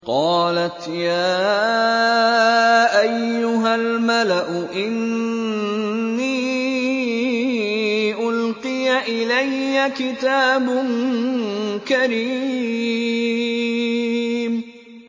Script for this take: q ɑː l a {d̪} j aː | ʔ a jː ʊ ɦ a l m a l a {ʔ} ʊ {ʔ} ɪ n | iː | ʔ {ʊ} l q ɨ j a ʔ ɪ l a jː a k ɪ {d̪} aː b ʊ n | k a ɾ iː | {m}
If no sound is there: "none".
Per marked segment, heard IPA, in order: t̪, ʔ, ʔ, ʊ, t̪, m

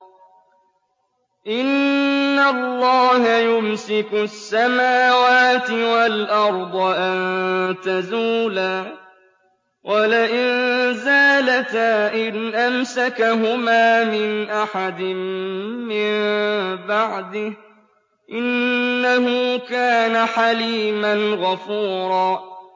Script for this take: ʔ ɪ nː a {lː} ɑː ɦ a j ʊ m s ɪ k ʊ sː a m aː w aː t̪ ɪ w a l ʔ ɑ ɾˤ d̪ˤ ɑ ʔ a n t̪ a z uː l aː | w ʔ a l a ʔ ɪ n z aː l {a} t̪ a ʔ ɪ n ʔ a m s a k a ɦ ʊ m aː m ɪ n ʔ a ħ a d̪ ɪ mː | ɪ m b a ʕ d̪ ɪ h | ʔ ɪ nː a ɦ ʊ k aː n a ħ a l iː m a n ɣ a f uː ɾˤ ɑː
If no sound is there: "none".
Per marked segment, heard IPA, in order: lː, a

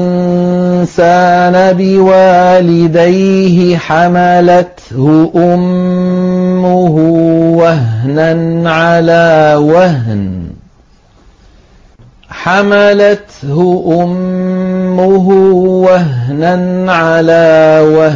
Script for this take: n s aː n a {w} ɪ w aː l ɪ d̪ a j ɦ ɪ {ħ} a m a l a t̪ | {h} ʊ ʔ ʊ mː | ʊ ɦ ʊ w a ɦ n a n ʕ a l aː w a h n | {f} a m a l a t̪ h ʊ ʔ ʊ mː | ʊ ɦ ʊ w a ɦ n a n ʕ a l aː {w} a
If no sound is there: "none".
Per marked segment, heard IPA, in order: b, ħ, h, ħ, w

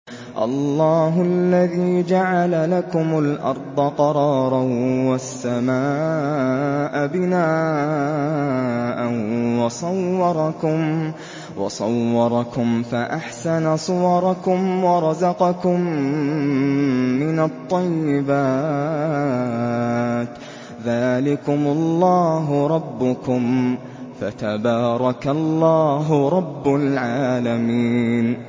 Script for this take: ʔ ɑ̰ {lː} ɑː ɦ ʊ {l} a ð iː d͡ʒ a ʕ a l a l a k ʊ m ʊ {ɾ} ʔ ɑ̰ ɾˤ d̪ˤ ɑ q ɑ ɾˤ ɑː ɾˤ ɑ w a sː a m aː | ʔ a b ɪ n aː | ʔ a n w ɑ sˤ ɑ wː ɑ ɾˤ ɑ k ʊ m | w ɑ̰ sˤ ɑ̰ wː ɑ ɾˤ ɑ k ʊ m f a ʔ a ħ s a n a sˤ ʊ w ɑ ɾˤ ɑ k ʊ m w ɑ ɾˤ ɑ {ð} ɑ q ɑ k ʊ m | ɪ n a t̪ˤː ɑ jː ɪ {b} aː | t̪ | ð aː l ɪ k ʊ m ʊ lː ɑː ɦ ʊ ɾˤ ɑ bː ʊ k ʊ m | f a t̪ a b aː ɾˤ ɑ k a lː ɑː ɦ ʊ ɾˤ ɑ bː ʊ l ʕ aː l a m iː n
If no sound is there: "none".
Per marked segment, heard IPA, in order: lː, lː, l, z, b

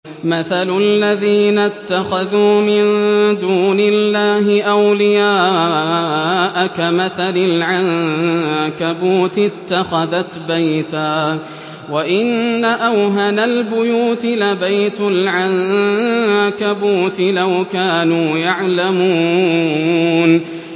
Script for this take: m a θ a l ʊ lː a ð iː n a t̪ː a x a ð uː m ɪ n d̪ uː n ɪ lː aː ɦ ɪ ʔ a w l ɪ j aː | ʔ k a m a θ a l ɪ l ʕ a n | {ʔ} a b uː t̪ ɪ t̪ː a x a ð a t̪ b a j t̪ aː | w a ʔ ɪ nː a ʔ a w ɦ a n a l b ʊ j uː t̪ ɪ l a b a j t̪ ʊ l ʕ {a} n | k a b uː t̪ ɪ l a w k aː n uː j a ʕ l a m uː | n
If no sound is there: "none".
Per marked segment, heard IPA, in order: k, a

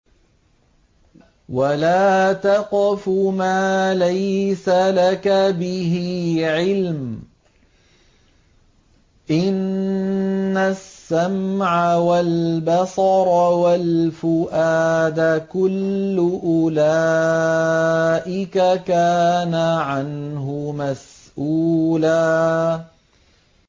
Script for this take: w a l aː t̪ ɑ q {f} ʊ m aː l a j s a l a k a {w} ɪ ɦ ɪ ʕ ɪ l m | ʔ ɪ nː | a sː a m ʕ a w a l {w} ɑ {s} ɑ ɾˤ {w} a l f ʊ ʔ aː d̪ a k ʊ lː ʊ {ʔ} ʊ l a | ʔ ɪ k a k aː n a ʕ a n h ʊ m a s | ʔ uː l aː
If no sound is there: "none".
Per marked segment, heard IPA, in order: f, b, b, s, w, ʔ

